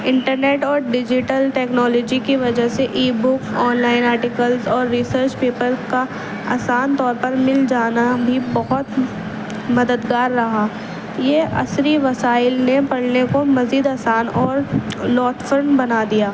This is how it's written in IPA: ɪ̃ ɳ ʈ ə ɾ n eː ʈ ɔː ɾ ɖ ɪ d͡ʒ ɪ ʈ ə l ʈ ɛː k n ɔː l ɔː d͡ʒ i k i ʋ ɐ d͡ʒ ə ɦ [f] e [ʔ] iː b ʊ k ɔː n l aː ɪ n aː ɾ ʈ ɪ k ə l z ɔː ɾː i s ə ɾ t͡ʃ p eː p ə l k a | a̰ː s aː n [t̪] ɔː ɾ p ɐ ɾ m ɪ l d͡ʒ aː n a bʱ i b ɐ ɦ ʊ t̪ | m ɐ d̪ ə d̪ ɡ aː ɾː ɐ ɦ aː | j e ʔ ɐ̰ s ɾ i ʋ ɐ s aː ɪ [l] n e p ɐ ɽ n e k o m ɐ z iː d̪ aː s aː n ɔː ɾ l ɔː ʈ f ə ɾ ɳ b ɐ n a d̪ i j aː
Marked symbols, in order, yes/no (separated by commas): no, yes, yes, yes